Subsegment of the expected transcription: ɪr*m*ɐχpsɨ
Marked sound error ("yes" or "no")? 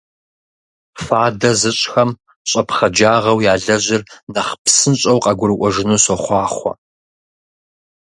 yes